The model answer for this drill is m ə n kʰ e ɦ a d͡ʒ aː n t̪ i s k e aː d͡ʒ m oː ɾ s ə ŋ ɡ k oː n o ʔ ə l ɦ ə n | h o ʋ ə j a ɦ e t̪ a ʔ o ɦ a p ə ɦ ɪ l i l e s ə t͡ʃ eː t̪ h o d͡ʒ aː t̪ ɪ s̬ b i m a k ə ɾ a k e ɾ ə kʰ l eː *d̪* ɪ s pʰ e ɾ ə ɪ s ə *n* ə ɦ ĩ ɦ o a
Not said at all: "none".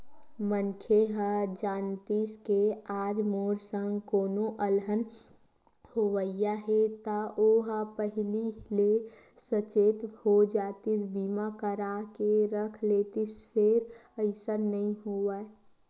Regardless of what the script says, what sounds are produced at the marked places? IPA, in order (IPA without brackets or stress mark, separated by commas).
t̪, n